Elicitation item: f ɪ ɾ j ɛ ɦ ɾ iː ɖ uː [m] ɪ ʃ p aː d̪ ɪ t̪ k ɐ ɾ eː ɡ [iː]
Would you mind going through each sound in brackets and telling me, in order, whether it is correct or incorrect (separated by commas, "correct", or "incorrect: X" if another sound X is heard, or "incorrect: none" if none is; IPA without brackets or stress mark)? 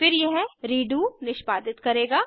incorrect: n, incorrect: aː